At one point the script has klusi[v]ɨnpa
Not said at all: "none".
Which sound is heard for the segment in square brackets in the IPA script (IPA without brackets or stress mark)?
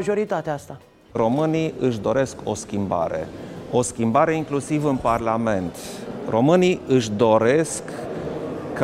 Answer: v